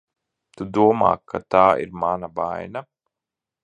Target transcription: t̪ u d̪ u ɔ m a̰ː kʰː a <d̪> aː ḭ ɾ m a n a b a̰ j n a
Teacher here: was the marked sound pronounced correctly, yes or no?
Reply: no